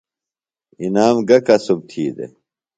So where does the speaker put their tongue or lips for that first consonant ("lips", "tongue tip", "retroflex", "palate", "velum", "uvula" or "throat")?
tongue tip